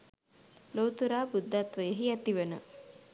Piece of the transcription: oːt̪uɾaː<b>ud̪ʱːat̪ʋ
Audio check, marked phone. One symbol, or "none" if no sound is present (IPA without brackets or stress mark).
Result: b